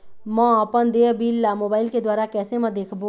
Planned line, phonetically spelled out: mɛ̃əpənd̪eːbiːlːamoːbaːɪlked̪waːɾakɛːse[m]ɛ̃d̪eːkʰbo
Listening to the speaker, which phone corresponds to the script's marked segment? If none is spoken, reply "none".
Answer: m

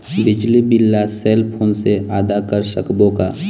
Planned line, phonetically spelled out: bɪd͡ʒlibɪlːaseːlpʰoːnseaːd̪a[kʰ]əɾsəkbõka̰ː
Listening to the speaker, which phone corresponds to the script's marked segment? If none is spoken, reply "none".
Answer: k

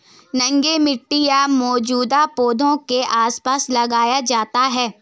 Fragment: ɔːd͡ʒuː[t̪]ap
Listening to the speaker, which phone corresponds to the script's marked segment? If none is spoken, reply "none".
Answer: d̪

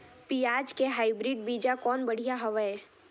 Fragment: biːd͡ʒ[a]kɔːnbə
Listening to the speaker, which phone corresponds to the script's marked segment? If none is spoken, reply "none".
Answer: a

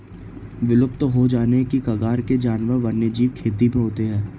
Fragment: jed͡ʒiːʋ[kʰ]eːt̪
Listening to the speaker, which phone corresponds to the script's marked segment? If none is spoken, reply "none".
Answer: kʰ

